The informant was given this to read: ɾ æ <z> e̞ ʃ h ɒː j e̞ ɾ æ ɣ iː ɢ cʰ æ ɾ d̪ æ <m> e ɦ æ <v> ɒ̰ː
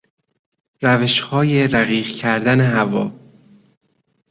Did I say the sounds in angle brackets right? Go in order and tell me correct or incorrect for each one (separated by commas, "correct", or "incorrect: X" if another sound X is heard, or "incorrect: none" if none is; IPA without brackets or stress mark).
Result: incorrect: v, incorrect: n, correct